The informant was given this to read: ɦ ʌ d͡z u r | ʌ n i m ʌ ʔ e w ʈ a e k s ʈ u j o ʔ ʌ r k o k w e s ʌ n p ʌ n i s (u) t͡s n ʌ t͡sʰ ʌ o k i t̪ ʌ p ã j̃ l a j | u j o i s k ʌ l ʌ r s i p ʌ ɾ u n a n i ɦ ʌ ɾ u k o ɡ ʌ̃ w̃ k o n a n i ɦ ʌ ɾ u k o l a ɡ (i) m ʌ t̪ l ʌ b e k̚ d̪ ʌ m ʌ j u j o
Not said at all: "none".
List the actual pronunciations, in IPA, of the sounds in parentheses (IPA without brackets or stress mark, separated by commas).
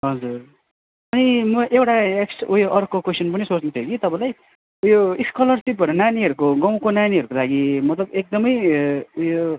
o, i